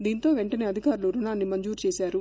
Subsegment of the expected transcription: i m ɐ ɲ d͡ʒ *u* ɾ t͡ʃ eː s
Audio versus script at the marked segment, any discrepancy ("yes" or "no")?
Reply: yes